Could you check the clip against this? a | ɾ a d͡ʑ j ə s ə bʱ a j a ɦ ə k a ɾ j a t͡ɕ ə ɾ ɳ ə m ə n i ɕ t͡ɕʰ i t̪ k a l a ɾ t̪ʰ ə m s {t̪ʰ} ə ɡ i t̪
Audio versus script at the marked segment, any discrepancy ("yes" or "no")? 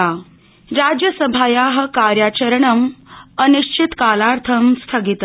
no